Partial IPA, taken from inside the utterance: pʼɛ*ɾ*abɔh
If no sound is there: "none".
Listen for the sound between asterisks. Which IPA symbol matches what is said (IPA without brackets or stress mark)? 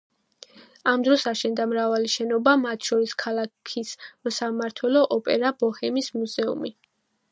ɾ